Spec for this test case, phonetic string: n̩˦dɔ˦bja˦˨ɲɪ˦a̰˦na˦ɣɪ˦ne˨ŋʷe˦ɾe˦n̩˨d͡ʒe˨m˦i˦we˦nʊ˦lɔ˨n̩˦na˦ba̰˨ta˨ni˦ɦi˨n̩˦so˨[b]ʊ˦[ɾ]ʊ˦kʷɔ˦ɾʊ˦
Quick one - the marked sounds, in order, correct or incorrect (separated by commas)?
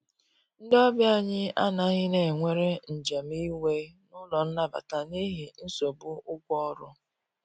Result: correct, incorrect